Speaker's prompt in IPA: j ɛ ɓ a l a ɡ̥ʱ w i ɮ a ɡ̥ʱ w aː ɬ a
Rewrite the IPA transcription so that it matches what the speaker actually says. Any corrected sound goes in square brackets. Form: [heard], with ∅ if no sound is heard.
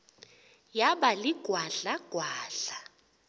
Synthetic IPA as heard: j [a] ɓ a l [i] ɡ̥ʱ w [a] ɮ a ɡ̥ʱ w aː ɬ a